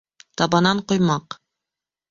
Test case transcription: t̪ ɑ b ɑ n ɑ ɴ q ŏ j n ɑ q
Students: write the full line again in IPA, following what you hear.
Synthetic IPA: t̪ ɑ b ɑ n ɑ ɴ q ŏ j m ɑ q